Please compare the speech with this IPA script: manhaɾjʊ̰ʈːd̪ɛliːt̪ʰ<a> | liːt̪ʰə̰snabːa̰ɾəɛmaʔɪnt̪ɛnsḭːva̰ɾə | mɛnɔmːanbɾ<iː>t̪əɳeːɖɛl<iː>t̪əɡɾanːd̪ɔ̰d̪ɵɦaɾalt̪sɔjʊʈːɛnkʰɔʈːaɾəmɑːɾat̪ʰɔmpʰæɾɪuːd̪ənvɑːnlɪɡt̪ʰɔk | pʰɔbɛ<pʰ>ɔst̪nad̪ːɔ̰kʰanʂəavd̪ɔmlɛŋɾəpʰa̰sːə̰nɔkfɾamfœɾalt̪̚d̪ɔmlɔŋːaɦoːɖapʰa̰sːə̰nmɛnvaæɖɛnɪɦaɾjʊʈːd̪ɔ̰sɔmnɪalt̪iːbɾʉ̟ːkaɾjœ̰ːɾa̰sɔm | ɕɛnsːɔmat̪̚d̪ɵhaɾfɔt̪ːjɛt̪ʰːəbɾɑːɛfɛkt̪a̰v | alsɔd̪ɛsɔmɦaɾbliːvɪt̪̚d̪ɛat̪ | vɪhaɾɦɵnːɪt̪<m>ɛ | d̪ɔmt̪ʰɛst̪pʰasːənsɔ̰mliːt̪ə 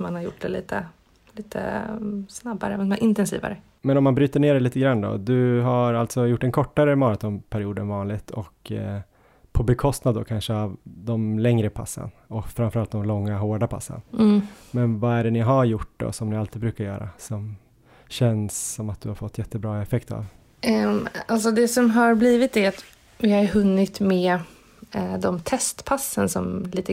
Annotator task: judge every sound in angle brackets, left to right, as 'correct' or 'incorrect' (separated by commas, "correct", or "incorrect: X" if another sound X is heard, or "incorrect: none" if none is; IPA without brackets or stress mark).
incorrect: ə, incorrect: yː, correct, incorrect: kʰ, correct